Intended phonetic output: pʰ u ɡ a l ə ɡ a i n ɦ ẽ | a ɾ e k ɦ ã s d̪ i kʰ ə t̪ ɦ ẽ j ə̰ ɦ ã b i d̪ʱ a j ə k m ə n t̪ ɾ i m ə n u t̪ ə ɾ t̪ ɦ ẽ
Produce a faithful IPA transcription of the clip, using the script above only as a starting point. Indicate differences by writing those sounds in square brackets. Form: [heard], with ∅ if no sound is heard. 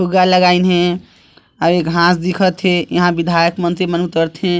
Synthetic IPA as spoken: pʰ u ɡ a l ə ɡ a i n ɦ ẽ | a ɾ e k ɦ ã s d̪ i kʰ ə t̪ ɦ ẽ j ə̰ ɦ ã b i d̪ʱ a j ə k m ə n t̪ ɾ i m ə n u t̪ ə ɾ t̪ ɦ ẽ